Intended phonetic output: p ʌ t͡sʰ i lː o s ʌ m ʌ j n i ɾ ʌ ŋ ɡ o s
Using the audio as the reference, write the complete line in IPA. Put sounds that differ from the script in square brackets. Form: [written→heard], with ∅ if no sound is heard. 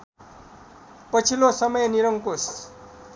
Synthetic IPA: p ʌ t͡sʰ i [lː→l] o s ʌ m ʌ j n i ɾ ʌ ŋ [ɡ→k] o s